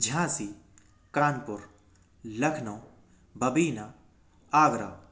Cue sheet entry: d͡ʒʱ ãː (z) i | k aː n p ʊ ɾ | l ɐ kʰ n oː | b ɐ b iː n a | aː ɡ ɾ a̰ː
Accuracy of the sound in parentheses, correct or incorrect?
incorrect